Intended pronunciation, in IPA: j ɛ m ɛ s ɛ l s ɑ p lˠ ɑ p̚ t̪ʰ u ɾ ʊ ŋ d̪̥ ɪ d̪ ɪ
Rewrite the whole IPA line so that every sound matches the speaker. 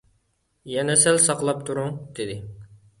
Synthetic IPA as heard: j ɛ n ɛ s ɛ l s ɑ q lˠ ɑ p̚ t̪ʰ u ɾ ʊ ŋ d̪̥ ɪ d̪ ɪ